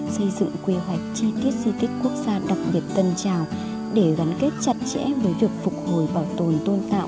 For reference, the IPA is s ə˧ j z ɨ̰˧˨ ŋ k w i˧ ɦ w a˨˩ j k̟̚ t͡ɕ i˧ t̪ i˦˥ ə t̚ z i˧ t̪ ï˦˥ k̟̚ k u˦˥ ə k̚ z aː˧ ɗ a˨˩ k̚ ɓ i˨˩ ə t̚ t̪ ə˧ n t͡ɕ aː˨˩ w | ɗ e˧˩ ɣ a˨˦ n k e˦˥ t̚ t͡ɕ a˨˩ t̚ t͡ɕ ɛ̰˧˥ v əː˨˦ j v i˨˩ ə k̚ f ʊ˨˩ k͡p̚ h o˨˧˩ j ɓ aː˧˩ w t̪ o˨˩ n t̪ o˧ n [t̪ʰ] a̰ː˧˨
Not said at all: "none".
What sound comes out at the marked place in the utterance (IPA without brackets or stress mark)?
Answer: t̪